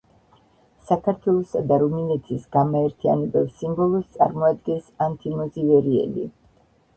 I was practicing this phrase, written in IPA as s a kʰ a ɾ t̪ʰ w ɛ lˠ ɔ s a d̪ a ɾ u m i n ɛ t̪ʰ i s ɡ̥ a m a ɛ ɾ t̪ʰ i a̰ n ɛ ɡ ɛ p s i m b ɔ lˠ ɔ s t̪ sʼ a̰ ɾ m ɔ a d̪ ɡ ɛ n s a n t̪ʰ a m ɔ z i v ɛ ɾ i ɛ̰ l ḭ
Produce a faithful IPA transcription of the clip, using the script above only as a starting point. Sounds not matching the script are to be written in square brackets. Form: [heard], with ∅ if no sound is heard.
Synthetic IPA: s a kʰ a ɾ t̪ʰ w ɛ lˠ ɔ s a d̪ a ɾ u m i n ɛ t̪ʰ i s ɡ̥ a m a ɛ ɾ t̪ʰ i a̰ n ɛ [b] ɛ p s i m b ɔ lˠ ɔ s t̪ sʼ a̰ ɾ m ɔ a d̪ ɡ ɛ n s a n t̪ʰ [i] m ɔ z i v ɛ ɾ i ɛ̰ l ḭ